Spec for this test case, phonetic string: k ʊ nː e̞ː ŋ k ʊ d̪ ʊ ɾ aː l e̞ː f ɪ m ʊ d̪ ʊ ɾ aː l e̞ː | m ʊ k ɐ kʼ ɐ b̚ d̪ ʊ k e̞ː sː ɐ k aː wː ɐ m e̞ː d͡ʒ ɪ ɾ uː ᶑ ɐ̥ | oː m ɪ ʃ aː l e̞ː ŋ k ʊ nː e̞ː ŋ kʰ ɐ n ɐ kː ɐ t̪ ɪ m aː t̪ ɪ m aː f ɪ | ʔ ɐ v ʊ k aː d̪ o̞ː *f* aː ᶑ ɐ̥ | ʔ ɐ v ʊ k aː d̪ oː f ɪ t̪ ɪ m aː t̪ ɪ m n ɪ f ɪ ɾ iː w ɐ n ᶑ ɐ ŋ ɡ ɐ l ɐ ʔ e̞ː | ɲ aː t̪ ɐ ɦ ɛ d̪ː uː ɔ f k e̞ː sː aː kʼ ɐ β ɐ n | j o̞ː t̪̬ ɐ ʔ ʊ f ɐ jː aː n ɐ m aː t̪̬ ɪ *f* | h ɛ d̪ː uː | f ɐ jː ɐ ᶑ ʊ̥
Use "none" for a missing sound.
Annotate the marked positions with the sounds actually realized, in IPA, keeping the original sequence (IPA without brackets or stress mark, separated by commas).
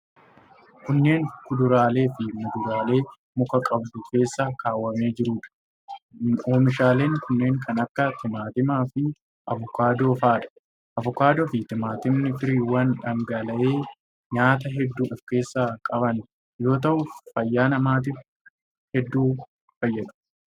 f, f